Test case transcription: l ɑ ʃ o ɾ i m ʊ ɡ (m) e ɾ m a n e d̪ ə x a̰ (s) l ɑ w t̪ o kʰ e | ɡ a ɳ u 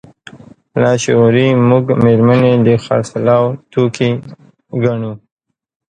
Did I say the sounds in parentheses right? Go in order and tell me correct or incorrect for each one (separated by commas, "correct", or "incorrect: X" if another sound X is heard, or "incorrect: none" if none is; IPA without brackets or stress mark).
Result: correct, correct